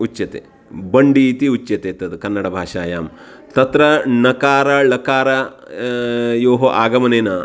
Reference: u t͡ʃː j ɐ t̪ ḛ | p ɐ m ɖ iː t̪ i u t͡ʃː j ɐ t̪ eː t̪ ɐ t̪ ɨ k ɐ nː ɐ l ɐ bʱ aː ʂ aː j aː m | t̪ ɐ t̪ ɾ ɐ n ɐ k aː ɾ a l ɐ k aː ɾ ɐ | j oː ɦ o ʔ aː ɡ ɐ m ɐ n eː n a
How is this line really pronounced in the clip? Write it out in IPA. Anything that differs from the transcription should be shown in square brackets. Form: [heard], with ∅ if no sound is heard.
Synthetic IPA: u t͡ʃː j ɐ t̪ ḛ | [b] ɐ [ɳ] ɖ iː t̪ i u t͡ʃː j ɐ t̪ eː t̪ ɐ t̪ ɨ k ɐ nː ɐ [ɽ] ɐ bʱ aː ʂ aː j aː m | t̪ ɐ t̪ ɾ ɐ n ɐ k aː ɾ [ɐ] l ɐ k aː ɾ ɐ | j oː ɦ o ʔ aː ɡ ɐ m ɐ n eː n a